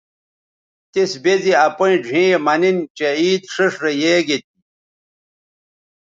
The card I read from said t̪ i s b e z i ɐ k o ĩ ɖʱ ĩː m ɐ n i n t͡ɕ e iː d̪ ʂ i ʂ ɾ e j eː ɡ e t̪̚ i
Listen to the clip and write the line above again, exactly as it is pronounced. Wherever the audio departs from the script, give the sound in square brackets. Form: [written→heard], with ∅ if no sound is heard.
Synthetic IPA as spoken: t̪ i s b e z i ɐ [k→p] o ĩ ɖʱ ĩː m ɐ n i n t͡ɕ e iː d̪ ʂ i ʂ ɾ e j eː ɡ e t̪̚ i